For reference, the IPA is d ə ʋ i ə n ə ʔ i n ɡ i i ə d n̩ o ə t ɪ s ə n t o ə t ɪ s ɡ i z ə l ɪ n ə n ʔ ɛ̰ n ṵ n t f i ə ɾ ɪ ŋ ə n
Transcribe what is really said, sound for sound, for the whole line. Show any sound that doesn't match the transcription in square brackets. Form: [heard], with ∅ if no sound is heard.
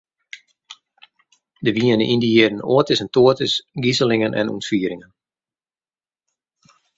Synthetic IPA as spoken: d ə ʋ i ə n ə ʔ i n [d] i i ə d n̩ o ə t ɪ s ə n t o ə t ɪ s ɡ i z ə l ɪ [ŋ] ə n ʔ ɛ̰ n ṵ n t f i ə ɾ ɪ ŋ ə n